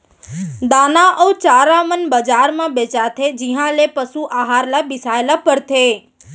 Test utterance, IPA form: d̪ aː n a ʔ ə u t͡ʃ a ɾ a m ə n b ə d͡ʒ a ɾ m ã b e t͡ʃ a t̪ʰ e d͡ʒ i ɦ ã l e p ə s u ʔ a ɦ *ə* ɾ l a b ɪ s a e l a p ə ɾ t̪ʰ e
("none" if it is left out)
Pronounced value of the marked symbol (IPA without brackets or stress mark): a